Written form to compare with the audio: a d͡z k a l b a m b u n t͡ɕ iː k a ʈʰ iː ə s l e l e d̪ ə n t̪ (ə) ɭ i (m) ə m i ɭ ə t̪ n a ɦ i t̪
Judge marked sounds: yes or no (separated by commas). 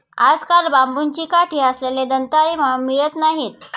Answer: no, yes